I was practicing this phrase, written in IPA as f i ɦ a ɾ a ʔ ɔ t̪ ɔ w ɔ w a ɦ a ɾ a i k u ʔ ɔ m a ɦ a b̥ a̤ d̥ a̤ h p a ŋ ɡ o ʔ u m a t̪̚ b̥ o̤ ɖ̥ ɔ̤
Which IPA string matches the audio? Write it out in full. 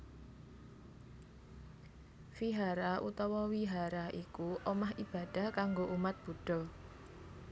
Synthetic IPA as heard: f i ɦ a ɾ a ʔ u t̪ ɔ w ɔ w i ɦ a ɾ a i k u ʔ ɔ m a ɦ i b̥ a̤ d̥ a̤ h k a ŋ ɡ o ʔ u m a t̪̚ b̥ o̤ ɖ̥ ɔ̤